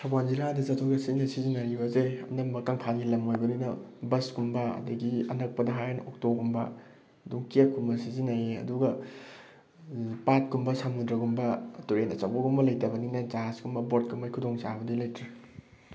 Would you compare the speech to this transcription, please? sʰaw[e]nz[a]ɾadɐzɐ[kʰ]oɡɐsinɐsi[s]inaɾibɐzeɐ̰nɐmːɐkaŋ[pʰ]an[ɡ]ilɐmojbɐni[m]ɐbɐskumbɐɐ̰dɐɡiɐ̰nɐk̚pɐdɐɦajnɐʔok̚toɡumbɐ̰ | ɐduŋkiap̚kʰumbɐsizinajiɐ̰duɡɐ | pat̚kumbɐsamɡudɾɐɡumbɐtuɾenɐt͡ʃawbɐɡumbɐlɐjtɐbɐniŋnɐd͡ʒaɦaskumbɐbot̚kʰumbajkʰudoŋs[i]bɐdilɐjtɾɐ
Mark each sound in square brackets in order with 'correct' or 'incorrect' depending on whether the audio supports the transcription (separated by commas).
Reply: incorrect, incorrect, incorrect, incorrect, correct, correct, incorrect, incorrect